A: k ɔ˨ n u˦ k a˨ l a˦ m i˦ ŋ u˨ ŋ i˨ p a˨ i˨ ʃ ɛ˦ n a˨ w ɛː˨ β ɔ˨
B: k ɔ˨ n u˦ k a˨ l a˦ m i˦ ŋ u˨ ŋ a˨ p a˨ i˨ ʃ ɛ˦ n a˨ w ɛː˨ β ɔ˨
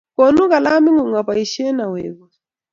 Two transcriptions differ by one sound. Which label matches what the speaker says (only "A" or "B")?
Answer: B